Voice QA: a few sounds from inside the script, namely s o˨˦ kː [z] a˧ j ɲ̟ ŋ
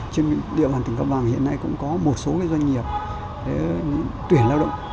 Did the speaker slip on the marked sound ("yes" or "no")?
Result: no